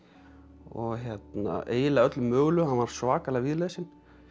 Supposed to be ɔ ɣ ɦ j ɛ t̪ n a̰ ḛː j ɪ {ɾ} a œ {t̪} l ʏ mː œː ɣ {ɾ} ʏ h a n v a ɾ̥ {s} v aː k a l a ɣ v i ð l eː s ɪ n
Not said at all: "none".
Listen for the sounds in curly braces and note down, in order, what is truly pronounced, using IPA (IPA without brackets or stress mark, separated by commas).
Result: l, t̪, l, s